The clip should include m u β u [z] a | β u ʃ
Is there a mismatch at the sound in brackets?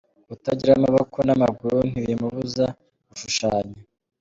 no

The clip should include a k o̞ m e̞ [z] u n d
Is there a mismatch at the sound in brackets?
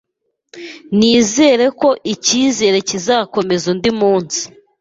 no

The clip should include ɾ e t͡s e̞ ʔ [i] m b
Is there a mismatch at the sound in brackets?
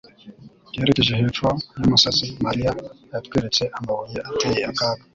yes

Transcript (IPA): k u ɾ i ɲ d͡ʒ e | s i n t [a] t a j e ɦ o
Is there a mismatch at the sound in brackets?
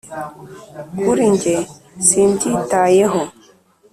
yes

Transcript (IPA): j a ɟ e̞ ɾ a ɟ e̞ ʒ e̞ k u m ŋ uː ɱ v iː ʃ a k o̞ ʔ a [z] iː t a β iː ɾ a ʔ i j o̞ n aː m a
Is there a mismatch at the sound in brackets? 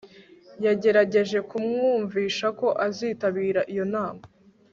no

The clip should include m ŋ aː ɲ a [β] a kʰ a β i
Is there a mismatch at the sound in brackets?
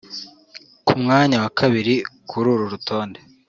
yes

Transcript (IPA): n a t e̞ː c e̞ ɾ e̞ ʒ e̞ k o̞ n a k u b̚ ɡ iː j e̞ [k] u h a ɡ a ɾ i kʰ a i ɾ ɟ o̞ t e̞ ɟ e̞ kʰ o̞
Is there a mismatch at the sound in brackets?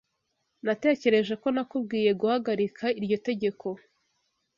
yes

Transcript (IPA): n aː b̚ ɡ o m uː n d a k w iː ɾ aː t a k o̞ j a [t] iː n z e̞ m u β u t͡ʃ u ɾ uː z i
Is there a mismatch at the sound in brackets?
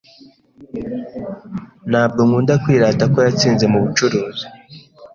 yes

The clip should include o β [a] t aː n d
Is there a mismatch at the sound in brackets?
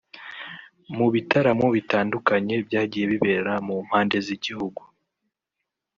yes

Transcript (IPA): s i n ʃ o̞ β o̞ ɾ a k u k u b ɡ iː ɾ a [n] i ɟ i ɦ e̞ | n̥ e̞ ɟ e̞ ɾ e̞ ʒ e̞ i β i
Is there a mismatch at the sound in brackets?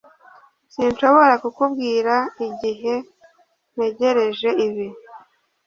yes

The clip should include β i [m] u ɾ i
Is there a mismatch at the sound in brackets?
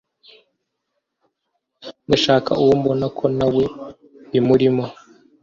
no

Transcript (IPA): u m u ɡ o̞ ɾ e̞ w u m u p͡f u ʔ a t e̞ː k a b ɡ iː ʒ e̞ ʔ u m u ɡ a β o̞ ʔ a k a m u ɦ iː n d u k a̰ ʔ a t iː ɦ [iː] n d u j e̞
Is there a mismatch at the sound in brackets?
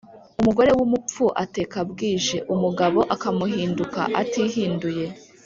no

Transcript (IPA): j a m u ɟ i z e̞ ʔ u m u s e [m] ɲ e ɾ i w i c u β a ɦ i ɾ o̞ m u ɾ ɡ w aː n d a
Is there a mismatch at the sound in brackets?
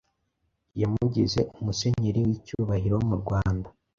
yes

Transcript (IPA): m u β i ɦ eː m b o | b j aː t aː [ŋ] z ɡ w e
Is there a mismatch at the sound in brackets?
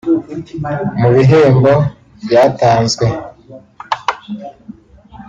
yes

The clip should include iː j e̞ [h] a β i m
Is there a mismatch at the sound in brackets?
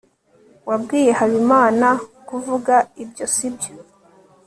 no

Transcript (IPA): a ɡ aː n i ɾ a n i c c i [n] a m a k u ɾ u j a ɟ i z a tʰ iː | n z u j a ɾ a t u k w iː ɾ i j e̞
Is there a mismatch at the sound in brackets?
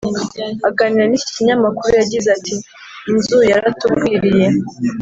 yes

